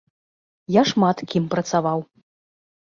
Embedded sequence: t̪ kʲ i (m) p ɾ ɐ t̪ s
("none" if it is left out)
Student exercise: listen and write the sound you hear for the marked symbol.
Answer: m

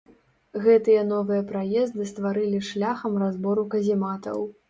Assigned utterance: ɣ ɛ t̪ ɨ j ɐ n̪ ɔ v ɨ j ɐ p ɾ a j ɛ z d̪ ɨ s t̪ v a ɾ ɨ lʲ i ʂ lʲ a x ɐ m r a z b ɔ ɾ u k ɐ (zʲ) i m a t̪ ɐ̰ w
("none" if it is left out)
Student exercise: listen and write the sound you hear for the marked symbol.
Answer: zʲ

